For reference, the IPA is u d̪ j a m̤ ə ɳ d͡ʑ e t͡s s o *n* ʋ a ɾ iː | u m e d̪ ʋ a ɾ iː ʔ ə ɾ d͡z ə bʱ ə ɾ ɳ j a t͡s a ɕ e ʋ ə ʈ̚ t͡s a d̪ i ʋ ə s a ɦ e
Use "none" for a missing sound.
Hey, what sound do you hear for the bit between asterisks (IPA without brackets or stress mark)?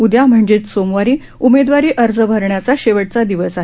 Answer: m